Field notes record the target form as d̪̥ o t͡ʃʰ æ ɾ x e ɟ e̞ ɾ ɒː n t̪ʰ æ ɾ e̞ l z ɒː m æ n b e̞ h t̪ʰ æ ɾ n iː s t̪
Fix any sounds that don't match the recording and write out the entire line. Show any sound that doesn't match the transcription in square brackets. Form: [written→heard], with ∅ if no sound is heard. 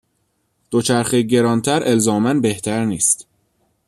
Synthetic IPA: d̪̥ o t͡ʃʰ æ ɾ x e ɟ e̞ ɾ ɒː n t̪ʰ æ ɾ e̞ l z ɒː m æ n b e̞ h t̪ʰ æ ɾ n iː s t̪